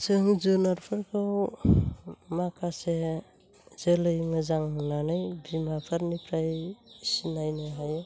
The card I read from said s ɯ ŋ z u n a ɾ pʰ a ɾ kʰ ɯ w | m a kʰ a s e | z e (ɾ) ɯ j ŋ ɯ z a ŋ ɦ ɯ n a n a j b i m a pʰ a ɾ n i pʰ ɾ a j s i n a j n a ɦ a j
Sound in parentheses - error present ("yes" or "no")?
yes